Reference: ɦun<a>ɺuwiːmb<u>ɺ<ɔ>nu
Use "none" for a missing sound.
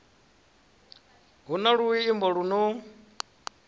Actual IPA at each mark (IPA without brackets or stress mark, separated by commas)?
a, ɔ, u